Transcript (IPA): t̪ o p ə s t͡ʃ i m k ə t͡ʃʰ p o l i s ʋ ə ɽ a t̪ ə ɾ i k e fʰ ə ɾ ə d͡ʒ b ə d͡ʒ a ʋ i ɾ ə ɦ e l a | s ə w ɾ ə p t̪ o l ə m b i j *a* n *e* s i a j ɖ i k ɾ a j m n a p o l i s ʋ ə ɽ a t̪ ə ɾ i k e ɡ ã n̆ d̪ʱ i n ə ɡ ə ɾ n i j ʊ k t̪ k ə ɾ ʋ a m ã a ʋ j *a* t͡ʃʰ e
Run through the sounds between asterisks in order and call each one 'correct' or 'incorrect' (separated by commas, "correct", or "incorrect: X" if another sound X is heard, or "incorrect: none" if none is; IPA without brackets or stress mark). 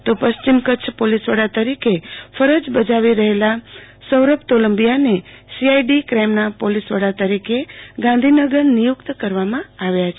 correct, correct, correct